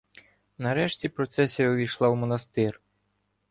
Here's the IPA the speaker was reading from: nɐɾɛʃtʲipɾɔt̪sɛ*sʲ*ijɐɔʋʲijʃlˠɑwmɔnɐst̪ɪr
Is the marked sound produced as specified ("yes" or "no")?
yes